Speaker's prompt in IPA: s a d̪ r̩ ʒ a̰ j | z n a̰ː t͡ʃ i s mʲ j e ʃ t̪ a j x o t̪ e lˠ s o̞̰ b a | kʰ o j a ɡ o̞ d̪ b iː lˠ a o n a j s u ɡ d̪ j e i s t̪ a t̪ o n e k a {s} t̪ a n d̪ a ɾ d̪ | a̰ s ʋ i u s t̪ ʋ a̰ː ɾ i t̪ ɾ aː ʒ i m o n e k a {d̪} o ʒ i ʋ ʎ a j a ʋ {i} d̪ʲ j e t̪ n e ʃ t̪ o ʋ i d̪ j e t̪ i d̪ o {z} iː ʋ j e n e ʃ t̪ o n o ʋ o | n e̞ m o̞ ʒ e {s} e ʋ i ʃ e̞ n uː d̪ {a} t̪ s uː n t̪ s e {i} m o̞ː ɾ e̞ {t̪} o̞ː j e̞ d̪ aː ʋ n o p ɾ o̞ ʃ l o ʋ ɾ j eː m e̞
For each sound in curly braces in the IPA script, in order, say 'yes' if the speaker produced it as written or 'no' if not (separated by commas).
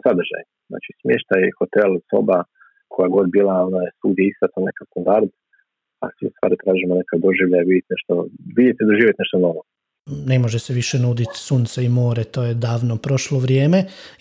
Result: yes, yes, yes, no, yes, no, yes, yes